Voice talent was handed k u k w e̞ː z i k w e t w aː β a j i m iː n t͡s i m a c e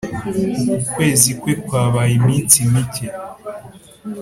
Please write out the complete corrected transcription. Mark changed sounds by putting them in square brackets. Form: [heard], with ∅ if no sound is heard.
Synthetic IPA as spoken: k u k w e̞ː z i k w e [k] w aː β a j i m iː n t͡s i m [i] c e

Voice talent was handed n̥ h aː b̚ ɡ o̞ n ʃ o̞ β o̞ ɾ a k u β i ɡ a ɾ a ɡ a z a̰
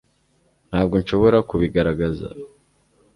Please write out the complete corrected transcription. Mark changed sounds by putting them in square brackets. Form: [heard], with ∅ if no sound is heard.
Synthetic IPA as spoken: n̥ h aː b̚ ɡ o̞ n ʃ o̞ β o̞ ɾ a k u β i ɡ a ɾ a ɡ a z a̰

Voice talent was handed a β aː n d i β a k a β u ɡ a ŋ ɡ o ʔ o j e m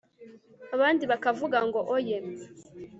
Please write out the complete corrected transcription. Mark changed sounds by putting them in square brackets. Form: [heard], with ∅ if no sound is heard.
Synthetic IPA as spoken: a β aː n d i β a k a [v] u ɡ a ŋ ɡ o ʔ o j e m

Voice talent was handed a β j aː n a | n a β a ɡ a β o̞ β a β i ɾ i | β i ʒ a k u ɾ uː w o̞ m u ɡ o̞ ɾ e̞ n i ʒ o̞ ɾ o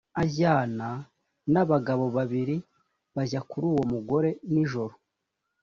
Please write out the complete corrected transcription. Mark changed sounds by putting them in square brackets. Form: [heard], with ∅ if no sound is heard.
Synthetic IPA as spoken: a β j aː n a | n a β a ɡ a β o̞ β a β i ɾ i | β [a] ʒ a k u ɾ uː w o̞ m u ɡ o̞ ɾ e̞ n i ʒ o̞ ɾ o

